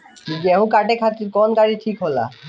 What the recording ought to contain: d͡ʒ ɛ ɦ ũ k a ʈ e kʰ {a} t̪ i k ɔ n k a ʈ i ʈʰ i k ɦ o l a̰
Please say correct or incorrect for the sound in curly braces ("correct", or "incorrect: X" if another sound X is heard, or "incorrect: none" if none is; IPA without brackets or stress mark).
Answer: correct